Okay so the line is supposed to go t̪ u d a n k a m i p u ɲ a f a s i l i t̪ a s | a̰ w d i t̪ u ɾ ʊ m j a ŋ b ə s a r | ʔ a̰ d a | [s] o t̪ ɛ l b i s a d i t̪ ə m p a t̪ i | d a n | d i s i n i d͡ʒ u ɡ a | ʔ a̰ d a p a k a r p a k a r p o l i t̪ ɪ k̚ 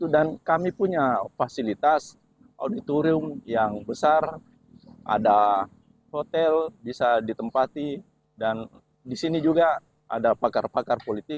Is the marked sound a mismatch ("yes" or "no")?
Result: yes